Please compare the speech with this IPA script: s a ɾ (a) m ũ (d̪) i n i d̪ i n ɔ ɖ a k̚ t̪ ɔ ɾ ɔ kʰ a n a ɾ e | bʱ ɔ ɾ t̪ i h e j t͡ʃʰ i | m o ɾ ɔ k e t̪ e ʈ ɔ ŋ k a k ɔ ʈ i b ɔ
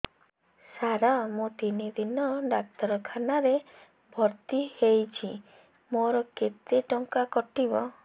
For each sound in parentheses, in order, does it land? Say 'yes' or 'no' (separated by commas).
yes, no